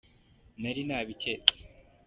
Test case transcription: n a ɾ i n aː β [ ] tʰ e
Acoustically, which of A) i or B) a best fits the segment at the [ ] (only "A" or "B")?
A